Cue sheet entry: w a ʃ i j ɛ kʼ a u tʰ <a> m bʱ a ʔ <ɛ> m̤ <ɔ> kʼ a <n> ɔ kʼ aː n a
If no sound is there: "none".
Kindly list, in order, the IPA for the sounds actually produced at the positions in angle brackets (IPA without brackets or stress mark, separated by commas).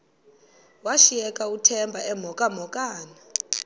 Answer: ɛ, ɛ, ɔ, m